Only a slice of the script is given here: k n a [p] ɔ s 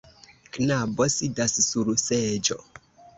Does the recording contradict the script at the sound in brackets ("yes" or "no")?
yes